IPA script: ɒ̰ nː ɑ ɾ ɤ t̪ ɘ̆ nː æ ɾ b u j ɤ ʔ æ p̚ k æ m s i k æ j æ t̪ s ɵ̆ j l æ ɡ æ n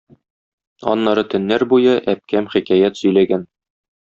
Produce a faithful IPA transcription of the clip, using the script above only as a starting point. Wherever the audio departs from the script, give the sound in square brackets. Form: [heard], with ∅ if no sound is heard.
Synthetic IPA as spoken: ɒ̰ nː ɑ ɾ ɤ t̪ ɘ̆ nː æ ɾ b u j ɤ ʔ æ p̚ k æ m [χ] i k æ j æ t̪ s ɵ̆ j l æ ɡ æ n